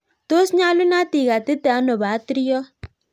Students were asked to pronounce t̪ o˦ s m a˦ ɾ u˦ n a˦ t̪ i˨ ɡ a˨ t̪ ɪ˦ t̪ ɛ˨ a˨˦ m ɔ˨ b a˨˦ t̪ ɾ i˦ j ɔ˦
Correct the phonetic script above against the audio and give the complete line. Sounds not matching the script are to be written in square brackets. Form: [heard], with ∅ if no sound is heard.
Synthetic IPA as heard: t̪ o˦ s [ɲ] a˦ [l] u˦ n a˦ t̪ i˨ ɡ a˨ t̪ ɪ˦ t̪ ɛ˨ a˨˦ [n] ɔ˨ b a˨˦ t̪ ɾ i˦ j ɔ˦